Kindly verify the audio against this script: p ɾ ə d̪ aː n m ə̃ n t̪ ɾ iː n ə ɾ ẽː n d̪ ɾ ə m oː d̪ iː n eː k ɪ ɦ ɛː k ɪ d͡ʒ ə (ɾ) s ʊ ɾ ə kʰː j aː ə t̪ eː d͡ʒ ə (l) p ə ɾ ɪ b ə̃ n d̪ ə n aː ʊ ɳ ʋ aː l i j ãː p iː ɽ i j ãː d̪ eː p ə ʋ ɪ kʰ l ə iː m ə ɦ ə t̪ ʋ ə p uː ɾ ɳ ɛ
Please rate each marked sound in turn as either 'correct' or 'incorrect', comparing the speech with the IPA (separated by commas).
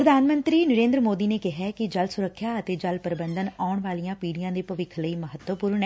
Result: incorrect, correct